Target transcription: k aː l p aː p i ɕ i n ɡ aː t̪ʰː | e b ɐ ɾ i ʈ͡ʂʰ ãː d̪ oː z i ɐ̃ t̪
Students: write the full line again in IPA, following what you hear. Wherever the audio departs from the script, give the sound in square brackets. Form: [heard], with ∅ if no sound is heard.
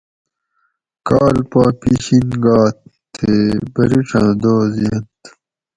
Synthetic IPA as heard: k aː l p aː p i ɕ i n ɡ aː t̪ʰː | e b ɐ ɾ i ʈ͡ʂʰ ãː d̪ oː z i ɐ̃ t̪